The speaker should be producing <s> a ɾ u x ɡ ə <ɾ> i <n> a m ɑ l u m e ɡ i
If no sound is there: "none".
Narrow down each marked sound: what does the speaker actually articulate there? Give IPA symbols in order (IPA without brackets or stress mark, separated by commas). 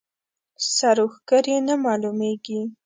s, ɾ, n